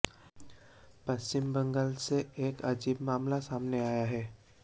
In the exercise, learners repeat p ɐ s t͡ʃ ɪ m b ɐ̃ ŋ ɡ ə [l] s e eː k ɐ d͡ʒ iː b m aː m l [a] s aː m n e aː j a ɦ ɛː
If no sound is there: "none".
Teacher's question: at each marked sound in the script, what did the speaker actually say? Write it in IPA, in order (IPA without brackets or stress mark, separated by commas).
l, a